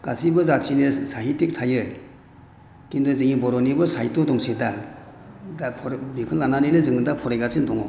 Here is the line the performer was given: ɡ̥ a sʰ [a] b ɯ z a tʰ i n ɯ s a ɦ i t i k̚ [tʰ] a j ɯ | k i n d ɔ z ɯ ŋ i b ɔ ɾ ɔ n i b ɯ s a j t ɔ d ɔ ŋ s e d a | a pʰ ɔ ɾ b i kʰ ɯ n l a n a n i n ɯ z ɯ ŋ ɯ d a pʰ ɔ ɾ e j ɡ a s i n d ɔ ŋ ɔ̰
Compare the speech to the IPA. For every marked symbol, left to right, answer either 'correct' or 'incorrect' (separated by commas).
incorrect, correct